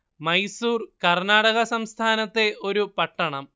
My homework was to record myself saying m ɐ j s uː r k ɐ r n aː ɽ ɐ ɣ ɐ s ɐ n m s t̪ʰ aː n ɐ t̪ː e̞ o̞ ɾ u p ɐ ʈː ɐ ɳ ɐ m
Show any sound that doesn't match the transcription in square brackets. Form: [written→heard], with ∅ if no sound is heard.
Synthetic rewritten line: m ɐ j s uː r k ɐ r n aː ɽ ɐ ɣ ɐ s ɐ [n→∅] m s t̪ʰ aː n ɐ t̪ː e̞ o̞ ɾ u p ɐ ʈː ɐ ɳ ɐ m